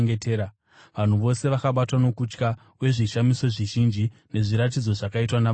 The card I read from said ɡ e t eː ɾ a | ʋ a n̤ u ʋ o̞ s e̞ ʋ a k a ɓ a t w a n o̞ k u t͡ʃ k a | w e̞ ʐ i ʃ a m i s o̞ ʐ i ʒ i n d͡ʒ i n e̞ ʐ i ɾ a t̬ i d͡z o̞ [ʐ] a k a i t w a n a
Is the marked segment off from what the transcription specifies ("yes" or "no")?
no